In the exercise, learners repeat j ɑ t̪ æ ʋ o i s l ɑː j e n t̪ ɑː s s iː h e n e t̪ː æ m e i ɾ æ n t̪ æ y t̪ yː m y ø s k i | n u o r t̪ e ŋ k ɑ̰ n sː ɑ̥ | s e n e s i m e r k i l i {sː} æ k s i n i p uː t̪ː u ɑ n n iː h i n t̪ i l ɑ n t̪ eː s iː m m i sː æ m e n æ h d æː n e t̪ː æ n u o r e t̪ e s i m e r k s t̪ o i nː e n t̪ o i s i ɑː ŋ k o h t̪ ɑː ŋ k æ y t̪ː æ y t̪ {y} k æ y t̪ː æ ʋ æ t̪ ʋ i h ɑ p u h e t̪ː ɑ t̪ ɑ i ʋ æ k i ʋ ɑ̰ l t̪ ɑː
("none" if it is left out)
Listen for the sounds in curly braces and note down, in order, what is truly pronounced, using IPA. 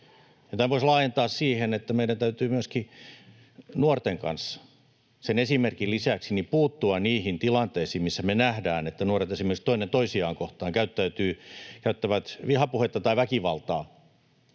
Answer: s, yː

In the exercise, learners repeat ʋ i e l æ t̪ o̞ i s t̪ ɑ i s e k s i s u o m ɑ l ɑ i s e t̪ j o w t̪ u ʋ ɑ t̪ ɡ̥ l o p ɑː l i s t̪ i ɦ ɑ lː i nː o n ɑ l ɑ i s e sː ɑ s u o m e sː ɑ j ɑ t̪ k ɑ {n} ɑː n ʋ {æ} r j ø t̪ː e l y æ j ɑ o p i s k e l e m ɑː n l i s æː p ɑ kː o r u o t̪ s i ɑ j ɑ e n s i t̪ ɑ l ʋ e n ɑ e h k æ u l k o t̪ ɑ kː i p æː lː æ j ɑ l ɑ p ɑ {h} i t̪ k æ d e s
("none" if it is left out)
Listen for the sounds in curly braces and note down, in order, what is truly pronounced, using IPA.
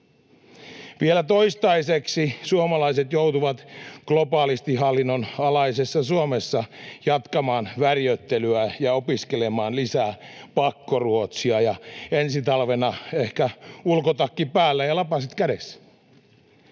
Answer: m, æ, s

